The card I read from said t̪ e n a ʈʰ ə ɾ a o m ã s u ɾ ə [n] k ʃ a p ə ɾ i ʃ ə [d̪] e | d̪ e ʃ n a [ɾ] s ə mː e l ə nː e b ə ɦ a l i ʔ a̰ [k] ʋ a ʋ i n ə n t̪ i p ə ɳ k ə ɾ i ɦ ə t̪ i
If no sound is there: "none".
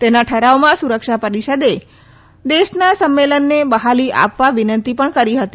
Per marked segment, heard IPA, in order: none, d̪, none, p

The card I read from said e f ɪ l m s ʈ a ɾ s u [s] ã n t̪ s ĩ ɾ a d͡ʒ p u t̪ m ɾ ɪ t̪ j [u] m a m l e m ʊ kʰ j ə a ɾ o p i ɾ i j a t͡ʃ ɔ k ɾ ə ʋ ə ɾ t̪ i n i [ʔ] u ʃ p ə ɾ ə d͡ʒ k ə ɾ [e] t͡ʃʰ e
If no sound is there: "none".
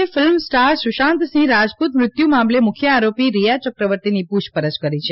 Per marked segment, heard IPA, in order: ʃ, u, p, i

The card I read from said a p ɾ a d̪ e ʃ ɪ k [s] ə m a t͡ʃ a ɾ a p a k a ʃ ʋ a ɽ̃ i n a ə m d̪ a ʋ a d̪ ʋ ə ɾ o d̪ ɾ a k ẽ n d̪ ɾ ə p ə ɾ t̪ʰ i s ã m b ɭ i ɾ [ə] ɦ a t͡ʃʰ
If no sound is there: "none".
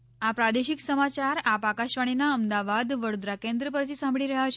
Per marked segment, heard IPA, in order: s, ə

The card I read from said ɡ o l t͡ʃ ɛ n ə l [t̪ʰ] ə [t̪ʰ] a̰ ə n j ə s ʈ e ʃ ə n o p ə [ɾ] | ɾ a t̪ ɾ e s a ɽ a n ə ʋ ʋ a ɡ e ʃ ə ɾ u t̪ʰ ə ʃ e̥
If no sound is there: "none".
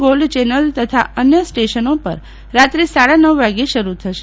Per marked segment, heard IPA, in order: t̪, t̪ʰ, ɾ

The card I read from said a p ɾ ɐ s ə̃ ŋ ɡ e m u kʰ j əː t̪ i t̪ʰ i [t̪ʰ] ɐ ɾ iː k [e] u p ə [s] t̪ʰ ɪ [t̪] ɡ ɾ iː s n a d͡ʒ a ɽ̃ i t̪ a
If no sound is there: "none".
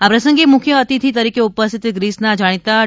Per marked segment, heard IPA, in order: t̪, e, s, t̪

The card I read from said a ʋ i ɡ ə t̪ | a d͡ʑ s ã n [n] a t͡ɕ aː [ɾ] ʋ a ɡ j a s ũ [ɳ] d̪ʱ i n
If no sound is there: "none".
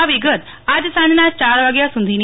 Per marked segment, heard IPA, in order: n, ɾ, n

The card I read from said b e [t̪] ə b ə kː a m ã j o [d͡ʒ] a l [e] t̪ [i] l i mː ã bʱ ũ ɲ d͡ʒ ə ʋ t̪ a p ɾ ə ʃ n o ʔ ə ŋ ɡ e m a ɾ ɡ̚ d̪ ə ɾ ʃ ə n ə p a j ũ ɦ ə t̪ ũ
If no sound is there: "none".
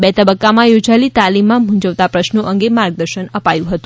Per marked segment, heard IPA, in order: t̪, d͡ʒ, i, a

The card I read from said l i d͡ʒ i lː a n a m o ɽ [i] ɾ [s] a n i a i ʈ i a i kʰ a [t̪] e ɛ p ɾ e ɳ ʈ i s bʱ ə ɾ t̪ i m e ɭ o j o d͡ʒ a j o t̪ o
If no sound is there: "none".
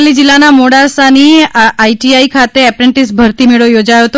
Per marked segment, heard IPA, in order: a, s, t̪

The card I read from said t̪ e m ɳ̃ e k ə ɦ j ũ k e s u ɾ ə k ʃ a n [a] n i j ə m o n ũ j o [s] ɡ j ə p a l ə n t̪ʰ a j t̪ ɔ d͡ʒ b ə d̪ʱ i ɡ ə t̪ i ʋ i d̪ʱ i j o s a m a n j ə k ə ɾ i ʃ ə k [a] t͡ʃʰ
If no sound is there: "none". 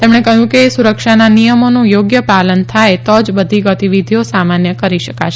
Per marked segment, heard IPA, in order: a, none, a

